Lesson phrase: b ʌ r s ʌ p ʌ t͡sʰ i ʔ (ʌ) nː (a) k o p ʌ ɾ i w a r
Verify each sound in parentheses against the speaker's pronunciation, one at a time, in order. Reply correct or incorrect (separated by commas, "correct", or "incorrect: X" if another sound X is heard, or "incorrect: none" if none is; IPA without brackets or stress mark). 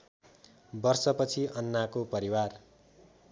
correct, correct